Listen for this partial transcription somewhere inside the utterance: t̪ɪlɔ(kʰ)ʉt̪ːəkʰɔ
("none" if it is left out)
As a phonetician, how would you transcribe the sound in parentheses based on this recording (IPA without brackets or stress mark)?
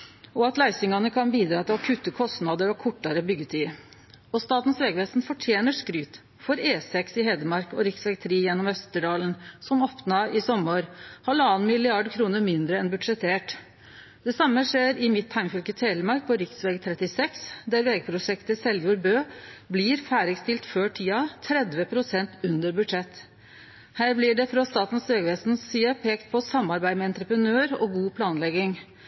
kʰ